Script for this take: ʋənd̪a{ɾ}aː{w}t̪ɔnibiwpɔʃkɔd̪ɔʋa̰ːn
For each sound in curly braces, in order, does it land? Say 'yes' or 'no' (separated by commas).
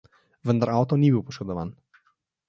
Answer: yes, yes